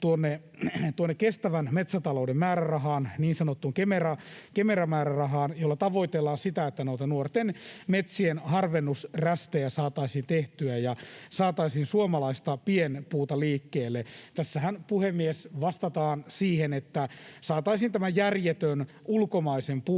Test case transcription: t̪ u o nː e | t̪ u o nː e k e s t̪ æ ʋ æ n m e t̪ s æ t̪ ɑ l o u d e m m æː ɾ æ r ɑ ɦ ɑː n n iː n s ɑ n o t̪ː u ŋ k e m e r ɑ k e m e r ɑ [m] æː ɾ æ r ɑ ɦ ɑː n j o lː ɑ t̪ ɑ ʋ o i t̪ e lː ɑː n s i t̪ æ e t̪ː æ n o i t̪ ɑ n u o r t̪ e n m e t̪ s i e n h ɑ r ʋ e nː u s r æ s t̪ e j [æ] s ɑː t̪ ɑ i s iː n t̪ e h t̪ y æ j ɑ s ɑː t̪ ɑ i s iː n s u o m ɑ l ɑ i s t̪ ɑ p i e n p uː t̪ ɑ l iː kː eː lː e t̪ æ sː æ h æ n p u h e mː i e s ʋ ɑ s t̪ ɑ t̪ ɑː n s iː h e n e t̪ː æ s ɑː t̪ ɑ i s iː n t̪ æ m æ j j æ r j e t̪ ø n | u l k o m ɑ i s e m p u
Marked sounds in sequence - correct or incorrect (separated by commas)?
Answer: correct, correct